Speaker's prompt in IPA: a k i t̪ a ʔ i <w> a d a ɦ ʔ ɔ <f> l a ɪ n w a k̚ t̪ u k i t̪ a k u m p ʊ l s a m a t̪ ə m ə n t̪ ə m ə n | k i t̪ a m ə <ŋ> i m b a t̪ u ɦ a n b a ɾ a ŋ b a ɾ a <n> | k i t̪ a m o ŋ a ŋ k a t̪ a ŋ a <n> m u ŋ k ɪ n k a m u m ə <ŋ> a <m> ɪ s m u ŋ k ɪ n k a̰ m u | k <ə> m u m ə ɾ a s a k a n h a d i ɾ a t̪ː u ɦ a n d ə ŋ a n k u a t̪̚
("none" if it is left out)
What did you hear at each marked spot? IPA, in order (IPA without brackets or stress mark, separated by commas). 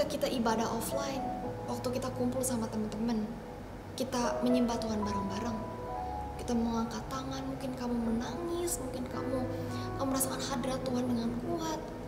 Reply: b, f, ɲ, ŋ, n, n, ŋ, a